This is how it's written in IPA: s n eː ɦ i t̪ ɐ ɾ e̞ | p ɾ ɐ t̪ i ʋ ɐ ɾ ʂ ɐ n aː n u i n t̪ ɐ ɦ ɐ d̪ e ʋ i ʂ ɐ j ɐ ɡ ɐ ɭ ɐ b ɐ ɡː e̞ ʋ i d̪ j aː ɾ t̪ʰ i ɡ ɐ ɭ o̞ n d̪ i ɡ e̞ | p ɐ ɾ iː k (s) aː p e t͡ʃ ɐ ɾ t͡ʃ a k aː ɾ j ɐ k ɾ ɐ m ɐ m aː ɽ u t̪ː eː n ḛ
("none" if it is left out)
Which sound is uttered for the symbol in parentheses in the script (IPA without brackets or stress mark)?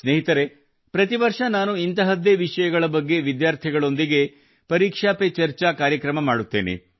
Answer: ʂ